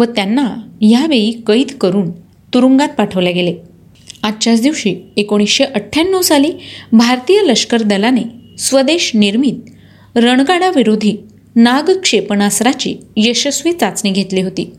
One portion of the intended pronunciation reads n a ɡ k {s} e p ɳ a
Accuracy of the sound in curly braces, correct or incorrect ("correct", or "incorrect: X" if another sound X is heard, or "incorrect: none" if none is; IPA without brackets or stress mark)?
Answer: incorrect: ʂ